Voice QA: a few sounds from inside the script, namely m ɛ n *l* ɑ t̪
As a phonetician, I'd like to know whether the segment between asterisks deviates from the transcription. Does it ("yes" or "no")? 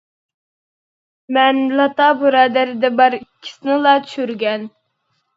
no